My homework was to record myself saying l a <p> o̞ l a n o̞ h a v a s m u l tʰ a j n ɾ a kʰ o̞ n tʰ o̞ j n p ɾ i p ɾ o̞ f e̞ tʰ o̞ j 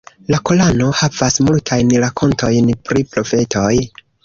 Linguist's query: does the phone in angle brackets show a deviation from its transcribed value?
yes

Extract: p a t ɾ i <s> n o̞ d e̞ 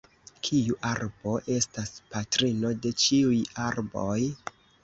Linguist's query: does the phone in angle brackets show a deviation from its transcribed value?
yes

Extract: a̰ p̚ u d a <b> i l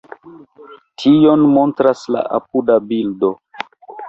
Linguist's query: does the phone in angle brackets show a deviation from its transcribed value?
no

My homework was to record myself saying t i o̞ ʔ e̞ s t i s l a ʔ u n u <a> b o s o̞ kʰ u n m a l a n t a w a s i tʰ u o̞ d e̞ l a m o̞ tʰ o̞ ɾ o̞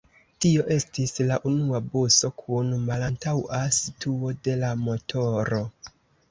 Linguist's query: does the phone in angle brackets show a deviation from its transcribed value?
no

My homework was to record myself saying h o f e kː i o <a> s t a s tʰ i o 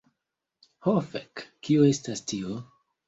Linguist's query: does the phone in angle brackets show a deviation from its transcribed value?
yes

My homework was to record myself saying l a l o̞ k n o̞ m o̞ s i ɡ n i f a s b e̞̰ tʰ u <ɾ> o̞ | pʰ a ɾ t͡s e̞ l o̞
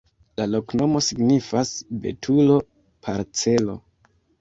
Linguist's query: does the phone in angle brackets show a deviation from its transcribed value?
yes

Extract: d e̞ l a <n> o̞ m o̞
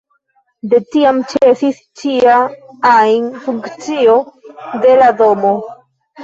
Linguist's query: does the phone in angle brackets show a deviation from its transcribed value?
yes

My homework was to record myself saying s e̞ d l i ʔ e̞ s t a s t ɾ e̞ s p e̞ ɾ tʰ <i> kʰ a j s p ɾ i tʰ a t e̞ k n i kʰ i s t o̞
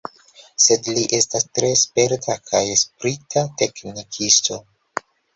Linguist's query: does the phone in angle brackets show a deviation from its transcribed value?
yes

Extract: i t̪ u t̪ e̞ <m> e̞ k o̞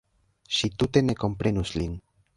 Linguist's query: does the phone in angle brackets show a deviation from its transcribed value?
yes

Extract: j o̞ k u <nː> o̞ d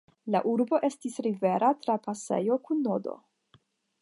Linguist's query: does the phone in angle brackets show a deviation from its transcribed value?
no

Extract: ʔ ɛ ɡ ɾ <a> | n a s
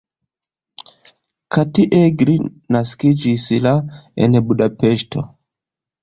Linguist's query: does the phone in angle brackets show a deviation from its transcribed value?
yes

